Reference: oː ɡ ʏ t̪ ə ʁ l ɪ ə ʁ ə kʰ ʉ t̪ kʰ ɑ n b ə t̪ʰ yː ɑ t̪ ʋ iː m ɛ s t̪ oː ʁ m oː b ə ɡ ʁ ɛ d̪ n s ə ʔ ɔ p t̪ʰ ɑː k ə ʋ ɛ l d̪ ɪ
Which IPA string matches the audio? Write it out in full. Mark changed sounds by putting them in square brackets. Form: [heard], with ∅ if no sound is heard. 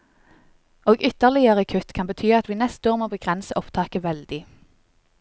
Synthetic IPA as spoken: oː ɡ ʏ t̪ ə ʁ l ɪ ə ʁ ə kʰ ʉ t̪ kʰ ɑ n b ə t̪ʰ yː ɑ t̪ ʋ iː [n] ɛ s t̪ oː ʁ m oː b ə ɡ ʁ ɛ [∅] n s ə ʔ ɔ p t̪ʰ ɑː k ə ʋ ɛ l d̪ ɪ